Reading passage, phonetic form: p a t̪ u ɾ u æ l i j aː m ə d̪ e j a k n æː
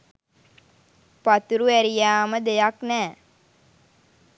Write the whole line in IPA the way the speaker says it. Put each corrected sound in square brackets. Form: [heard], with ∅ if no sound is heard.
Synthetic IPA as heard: p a t̪ u ɾ u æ [ɾ] i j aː m ə d̪ e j a k n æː